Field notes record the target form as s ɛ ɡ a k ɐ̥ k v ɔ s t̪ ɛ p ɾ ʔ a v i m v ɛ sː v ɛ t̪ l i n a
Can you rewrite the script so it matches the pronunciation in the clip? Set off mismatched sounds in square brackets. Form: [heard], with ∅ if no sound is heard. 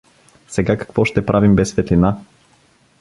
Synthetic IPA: s ɛ ɡ a k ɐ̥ k v ɔ [ʃ] t̪ ɛ p ɾ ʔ a v i m [b] ɛ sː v ɛ t̪ l i n a